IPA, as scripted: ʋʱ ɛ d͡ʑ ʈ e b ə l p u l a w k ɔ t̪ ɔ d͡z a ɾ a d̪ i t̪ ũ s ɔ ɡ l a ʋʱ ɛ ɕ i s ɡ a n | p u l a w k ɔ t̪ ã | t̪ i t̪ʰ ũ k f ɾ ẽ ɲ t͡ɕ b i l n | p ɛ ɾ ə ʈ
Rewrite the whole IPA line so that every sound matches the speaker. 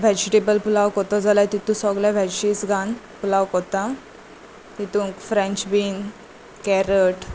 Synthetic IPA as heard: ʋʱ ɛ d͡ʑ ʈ e b ə l p u l a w k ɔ t̪ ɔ d͡z a l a t̪ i t̪ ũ s ɔ ɡ l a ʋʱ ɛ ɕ i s ɡ a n | p u l a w k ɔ t̪ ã | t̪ i t̪ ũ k f ɾ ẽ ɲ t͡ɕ b i n | k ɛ ɾ ə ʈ